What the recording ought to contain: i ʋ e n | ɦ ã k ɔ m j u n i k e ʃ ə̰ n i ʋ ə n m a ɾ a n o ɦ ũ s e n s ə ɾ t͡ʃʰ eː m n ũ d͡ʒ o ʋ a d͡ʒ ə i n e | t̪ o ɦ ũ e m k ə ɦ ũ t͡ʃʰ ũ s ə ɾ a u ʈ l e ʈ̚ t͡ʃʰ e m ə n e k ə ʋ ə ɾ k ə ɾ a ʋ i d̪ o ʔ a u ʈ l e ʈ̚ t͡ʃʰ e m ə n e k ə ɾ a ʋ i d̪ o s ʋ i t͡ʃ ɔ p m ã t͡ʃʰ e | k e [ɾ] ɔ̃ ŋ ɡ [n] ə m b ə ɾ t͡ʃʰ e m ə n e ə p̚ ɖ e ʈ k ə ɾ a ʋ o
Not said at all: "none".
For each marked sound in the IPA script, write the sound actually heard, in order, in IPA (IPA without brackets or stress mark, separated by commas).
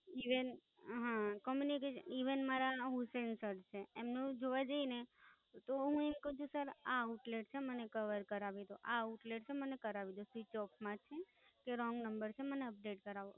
ɾ, n